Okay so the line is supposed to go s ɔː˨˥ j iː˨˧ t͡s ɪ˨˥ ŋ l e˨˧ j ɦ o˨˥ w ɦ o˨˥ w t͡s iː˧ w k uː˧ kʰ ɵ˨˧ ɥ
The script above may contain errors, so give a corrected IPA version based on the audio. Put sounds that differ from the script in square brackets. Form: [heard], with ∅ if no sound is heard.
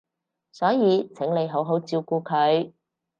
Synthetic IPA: s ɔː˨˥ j iː˨˧ [t͡sʰ] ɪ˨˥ ŋ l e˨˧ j ɦ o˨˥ w ɦ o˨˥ w t͡s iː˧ w k uː˧ kʰ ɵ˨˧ ɥ